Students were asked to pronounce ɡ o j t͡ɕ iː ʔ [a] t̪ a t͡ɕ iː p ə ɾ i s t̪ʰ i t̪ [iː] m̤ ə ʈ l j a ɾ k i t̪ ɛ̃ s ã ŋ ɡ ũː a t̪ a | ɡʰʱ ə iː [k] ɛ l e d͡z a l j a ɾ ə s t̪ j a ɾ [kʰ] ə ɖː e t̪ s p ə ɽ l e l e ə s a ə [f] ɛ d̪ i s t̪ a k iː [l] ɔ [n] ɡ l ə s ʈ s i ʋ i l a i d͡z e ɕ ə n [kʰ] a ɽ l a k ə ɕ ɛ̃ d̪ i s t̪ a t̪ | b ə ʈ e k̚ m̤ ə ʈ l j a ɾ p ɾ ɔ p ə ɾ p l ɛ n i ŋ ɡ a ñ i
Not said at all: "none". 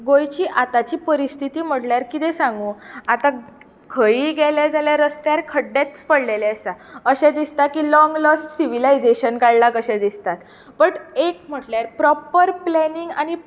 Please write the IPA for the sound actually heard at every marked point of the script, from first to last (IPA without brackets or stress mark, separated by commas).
a, iː, ɡ, kʰ, ɕ, l, ŋ, k